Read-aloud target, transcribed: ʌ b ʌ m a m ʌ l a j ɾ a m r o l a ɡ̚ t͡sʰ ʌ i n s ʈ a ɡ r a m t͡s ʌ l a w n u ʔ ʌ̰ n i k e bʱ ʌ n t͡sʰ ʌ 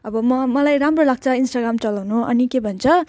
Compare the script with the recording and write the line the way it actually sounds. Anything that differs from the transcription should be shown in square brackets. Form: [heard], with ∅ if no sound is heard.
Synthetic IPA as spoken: ʌ b ʌ m [ʌ] m ʌ l a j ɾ a m r o l a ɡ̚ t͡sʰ ʌ i n s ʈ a ɡ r a m t͡s ʌ l a w n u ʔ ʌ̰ n i k e bʱ ʌ n t͡sʰ ʌ